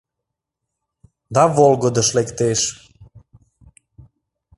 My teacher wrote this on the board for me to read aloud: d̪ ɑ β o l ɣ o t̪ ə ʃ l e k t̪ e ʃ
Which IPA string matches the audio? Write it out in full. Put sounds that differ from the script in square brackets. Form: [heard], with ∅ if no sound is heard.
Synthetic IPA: d̪ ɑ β o l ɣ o [d̪] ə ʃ l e k t̪ e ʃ